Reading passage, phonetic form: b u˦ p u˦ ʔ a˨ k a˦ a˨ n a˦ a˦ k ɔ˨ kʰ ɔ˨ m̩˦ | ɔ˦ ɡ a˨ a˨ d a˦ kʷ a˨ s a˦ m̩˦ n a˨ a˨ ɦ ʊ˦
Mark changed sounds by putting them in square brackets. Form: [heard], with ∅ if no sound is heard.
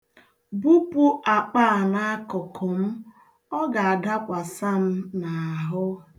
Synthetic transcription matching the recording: b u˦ p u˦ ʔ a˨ [k͡p] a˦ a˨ n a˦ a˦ k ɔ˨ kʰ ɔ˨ m̩˦ | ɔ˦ ɡ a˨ a˨ d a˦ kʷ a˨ s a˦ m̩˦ n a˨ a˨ ɦ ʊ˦

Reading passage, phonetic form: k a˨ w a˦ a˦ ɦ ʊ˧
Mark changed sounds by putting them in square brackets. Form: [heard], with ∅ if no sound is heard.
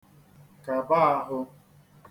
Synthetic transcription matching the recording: k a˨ [b] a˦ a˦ ɦ ʊ˧

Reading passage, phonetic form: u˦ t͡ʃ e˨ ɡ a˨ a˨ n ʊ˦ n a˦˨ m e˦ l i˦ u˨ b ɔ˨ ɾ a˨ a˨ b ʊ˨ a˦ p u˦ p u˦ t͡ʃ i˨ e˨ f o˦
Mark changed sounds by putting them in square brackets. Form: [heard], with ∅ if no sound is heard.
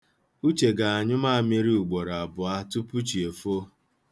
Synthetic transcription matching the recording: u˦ t͡ʃ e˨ ɡ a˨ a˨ [ɲ] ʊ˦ [m] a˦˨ m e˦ [ɾ] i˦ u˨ [ɡ͡b] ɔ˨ ɾ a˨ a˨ b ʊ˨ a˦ [t] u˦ p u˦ t͡ʃ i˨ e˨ f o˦

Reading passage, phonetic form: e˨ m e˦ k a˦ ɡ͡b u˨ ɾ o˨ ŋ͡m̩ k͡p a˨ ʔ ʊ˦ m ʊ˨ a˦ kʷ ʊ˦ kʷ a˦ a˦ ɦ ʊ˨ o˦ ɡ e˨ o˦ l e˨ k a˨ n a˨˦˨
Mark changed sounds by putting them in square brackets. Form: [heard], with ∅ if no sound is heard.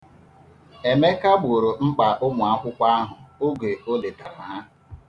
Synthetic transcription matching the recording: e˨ m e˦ k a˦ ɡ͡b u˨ ɾ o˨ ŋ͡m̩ k͡p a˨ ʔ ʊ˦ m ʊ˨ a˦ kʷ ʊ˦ kʷ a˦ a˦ ɦ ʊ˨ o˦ ɡ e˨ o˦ l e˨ [t] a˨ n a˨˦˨

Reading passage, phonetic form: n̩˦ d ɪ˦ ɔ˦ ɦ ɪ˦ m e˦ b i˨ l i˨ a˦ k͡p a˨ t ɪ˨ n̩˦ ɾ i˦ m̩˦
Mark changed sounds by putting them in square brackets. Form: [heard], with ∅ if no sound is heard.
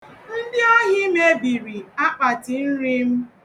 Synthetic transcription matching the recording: n̩˦ d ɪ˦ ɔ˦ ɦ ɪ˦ m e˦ b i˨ [ɾ] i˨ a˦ k͡p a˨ t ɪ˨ n̩˦ ɾ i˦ m̩˦

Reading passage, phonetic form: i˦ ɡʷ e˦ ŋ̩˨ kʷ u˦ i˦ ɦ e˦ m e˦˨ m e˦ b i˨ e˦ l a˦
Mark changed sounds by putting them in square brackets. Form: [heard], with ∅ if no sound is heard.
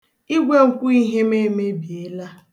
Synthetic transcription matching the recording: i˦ ɡʷ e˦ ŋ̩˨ kʷ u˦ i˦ ɦ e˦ m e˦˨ m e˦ b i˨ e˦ l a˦

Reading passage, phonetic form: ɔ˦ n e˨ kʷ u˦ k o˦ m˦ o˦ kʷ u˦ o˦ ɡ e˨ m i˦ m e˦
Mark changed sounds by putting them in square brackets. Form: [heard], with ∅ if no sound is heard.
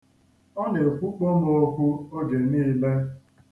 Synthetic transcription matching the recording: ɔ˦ n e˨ kʷ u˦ [k͡p] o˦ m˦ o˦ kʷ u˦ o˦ ɡ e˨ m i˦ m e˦

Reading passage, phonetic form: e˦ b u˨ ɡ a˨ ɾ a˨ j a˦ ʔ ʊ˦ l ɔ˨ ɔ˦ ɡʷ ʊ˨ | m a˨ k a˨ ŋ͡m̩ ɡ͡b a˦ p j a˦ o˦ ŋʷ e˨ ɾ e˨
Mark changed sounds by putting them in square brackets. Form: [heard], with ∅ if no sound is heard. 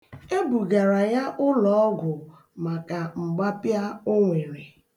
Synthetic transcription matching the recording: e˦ b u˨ ɡ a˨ ɾ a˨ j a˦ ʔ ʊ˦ l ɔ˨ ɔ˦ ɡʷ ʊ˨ | m a˨ k a˨ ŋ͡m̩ ɡ͡b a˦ p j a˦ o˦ ŋʷ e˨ ɾ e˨

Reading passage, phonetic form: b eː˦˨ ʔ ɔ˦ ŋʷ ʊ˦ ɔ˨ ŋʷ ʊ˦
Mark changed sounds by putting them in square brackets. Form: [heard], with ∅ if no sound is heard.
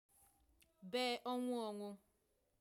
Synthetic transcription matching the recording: b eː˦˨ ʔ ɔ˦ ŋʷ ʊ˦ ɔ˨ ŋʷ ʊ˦

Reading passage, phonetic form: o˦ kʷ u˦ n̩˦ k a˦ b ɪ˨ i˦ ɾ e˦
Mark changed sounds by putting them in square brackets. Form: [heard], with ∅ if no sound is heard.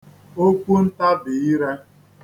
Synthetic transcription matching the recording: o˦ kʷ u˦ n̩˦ [t] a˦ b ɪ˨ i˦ ɾ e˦

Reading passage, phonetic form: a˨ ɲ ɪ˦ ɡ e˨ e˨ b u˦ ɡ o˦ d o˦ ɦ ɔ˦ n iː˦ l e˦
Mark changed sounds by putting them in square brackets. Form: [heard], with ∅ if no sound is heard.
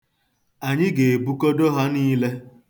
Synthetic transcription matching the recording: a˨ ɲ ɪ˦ ɡ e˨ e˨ b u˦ [k] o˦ d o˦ ɦ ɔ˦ n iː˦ l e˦

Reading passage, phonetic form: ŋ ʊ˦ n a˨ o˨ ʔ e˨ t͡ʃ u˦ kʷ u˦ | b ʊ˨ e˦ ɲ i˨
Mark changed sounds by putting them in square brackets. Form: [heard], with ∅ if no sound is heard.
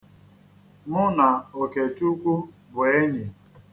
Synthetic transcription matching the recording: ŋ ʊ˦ n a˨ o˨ [k] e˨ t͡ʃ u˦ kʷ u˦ | b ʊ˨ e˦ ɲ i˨

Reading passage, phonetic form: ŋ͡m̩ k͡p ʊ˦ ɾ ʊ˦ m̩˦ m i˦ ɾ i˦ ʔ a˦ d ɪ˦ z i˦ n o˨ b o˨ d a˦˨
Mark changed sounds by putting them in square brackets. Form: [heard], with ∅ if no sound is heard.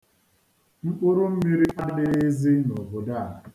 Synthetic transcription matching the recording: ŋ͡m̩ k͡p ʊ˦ ɾ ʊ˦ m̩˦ m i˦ ɾ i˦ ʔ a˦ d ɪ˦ z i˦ n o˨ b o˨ d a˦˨

